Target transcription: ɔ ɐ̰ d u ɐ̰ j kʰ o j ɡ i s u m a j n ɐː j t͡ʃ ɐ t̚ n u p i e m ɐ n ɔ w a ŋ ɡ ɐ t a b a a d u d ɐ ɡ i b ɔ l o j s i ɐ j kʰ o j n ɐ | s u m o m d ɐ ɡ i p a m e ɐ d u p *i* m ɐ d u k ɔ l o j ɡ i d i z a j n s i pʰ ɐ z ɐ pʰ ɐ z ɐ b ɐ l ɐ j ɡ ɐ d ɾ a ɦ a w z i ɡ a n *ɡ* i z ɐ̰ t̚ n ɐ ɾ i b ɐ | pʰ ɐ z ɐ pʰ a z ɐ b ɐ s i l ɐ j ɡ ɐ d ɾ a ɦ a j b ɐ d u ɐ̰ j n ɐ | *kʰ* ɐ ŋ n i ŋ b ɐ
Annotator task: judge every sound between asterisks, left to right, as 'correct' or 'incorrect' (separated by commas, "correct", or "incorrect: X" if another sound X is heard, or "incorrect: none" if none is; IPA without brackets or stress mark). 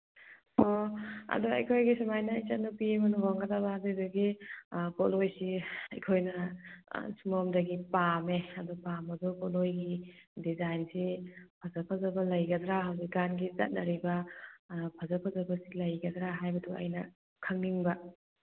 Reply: incorrect: a, correct, correct